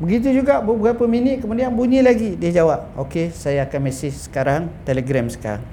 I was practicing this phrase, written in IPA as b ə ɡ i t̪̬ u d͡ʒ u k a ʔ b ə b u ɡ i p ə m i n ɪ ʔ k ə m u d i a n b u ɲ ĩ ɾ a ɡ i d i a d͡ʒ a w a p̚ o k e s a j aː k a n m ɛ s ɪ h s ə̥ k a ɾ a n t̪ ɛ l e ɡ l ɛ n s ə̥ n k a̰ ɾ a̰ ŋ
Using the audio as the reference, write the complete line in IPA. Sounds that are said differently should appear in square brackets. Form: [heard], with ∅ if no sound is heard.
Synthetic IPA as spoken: b ə ɡ i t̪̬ u d͡ʒ u [ɡ] a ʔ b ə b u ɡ [a] p ə m i n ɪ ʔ k ə m u d i a n b u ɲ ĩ [l] a ɡ i d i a d͡ʒ a w a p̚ o k e s a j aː k a n m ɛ s ɪ h s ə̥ k a ɾ a [ŋ] t̪ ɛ l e ɡ [ɾ] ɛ [m] s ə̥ [∅] k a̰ ɾ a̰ ŋ